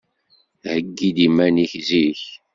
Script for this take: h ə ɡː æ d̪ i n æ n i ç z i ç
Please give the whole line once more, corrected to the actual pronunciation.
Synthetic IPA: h ə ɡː i d̪ i m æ n i ç z i ç